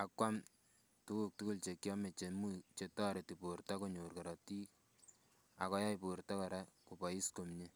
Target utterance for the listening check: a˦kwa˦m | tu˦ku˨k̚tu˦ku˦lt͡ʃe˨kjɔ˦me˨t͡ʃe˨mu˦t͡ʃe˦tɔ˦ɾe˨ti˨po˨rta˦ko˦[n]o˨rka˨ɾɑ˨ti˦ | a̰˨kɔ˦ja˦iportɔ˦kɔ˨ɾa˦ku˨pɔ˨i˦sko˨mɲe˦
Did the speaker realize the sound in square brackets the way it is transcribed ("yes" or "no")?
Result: no